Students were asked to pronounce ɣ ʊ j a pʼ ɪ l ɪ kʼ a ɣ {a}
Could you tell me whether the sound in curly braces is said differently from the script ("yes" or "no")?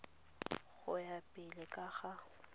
no